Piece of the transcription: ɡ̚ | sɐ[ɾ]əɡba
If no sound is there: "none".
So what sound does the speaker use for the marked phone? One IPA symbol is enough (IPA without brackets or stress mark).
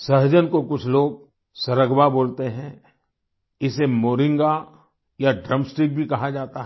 ɾ